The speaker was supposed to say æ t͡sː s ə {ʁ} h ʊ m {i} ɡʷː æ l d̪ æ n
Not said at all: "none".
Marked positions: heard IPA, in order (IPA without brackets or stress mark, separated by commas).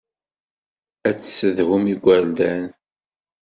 ð, i